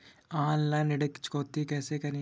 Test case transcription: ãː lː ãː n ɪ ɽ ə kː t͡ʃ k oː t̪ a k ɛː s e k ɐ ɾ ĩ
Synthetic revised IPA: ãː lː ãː n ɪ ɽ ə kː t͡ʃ k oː t̪ i k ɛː s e k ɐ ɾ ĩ